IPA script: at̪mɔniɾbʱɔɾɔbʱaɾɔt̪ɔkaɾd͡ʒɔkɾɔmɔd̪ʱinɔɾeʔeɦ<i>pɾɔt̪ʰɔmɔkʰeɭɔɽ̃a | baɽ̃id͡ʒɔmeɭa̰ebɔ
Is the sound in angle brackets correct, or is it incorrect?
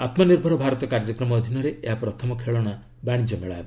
incorrect